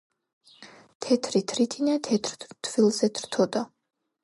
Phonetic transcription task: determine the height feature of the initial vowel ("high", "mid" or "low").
mid